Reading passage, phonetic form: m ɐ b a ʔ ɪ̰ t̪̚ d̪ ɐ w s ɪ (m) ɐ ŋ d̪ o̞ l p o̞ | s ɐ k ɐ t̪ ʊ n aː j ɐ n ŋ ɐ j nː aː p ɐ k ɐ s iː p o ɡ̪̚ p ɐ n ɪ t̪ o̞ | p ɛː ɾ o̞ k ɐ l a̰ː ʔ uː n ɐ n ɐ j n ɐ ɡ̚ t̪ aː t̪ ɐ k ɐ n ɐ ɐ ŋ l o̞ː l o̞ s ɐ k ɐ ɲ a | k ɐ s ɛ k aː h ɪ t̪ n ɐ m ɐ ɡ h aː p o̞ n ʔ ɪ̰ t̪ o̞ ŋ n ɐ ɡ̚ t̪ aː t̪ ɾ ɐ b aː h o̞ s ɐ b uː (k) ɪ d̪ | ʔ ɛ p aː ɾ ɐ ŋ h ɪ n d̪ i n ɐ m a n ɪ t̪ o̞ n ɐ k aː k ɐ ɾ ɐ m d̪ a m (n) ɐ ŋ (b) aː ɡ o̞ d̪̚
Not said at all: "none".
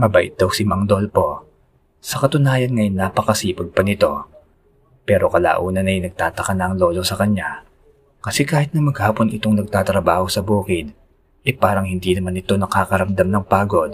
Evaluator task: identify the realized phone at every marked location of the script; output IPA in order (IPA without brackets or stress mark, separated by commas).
m, k, n, p